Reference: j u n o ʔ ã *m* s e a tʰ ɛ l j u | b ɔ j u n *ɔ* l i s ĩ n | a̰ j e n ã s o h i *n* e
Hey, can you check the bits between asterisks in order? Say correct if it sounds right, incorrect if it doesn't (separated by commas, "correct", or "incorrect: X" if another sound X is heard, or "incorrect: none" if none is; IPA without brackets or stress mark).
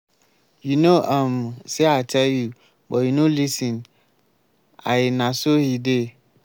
correct, incorrect: o, incorrect: d